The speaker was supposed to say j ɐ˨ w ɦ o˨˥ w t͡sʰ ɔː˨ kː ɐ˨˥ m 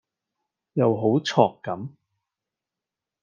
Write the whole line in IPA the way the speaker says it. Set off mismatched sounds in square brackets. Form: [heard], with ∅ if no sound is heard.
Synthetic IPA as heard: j ɐ˨ w ɦ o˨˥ w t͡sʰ ɔː˨ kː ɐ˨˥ m